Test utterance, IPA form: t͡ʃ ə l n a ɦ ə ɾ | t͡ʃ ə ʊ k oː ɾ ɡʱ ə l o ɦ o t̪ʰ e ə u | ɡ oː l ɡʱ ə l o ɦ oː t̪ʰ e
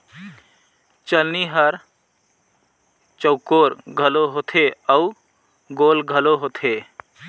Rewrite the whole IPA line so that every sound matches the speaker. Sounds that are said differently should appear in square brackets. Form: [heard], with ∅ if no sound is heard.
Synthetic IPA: t͡ʃ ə l n [i] ɦ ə ɾ | t͡ʃ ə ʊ k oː ɾ ɡʱ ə l o ɦ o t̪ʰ e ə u | ɡ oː l ɡʱ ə l o ɦ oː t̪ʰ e